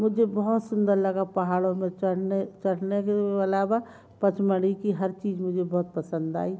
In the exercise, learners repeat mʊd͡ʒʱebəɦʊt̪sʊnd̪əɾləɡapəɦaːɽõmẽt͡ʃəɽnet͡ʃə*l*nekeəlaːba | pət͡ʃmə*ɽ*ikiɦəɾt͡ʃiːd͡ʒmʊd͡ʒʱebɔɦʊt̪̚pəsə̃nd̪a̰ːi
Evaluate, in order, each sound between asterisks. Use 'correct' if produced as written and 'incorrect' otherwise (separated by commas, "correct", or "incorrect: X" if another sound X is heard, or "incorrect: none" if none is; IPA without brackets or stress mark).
incorrect: ɽ, correct